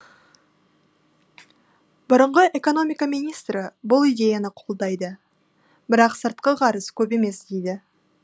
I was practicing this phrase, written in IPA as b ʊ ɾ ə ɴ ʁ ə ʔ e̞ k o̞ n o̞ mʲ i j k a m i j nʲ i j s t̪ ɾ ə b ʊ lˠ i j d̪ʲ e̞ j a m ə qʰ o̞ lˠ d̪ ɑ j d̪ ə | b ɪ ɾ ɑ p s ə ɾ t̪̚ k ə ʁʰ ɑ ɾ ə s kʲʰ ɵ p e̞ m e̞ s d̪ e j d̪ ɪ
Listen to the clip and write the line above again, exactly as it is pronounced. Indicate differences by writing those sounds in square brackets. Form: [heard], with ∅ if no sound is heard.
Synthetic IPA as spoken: b ʊ ɾ ə ɴ ʁ ə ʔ e̞ k o̞ n o̞ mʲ i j k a m i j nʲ i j s t̪ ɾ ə b ʊ lˠ i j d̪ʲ e̞ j a [n] ə qʰ o̞ lˠ d̪ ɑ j d̪ ə | b ɪ ɾ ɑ [q] s ə ɾ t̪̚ [q] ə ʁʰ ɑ ɾ ə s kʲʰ ɵ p e̞ m e̞ s d̪ e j d̪ ɪ